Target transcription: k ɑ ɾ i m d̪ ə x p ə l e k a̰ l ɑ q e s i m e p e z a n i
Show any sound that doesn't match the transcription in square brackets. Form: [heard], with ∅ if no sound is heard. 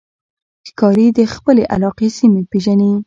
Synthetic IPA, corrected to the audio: k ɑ ɾ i [∅] d̪ ə x p ə l e [ʔ] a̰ l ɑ q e s i m e p e [ʒ] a n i